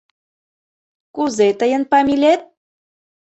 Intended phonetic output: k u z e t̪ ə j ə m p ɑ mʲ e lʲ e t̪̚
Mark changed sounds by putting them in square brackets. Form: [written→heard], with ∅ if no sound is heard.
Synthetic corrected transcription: k u z e t̪ ə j ə [m→n] p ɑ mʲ [e→i] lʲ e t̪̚